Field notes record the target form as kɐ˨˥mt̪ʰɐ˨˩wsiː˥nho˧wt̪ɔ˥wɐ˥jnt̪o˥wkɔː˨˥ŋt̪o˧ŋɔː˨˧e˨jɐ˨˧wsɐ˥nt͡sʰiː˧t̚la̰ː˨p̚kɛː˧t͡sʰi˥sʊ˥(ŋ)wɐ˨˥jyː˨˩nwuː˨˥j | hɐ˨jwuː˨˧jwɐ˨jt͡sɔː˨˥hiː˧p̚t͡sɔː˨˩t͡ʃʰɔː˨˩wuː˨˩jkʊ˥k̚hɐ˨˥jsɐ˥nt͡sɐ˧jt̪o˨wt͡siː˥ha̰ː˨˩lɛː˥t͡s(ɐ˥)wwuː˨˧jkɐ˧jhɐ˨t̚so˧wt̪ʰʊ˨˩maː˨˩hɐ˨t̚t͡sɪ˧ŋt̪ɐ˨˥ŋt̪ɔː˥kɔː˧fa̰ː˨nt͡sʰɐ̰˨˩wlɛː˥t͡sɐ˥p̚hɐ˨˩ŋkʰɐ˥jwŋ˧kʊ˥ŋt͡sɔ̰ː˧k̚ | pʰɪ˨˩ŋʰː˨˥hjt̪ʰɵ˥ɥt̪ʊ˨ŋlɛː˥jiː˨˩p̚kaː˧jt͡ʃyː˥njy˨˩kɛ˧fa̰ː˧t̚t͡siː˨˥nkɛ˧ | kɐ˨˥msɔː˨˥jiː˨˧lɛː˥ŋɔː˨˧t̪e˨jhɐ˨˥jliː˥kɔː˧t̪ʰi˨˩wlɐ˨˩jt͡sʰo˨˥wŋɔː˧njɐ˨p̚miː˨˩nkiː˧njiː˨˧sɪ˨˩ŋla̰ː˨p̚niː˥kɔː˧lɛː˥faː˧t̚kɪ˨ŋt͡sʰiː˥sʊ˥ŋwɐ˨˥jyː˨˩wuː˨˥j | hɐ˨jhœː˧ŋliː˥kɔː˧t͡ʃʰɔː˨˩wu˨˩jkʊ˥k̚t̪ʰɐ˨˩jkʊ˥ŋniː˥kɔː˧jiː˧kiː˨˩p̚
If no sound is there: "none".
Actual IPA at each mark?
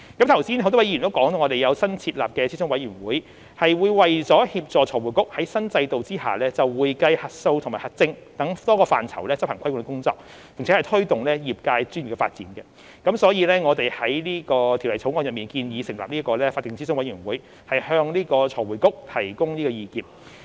ŋ, ɐ˨

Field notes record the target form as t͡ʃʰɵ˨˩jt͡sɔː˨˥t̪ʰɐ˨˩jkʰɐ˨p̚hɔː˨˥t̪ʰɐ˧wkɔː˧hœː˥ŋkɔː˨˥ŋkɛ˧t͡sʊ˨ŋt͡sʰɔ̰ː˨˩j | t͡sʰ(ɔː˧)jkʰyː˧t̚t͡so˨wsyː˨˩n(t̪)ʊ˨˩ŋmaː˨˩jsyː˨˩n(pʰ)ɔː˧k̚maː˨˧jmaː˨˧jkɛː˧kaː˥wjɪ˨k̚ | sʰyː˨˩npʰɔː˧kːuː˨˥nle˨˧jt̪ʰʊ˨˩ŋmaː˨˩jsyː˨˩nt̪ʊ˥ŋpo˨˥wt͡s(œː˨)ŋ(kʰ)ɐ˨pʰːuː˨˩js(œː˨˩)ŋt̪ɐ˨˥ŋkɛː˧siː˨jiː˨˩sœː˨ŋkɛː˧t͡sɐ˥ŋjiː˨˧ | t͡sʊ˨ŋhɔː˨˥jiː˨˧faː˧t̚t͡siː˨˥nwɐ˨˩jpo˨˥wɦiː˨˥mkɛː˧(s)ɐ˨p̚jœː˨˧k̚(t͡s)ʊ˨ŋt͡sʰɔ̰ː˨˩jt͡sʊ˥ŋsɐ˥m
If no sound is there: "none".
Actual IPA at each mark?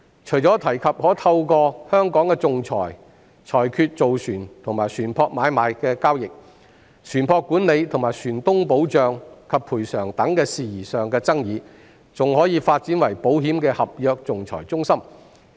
ɔː˨˩, t̪ʰ, pʰ, œː˨, kʰ, œː˨˩, h, t͡s

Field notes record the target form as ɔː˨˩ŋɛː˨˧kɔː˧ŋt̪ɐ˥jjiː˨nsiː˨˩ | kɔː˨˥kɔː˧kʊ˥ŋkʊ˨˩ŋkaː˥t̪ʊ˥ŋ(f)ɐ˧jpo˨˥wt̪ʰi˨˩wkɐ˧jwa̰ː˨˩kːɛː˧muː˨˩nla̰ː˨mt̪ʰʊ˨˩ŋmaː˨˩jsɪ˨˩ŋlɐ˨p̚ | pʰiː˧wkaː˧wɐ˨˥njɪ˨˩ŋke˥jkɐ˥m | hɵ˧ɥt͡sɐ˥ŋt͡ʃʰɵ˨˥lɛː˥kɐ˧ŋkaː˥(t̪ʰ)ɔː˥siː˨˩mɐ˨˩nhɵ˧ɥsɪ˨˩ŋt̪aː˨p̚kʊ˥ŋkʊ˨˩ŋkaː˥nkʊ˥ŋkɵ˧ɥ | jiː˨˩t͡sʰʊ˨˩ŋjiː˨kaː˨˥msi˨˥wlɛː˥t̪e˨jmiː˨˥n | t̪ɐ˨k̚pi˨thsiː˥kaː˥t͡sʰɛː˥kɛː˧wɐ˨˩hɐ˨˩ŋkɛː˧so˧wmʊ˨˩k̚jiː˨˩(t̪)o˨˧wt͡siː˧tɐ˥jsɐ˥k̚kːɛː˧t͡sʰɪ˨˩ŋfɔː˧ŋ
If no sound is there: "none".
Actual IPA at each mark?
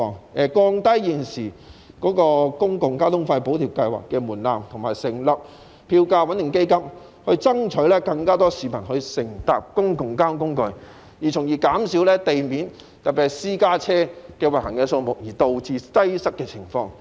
f, t̪, t̪

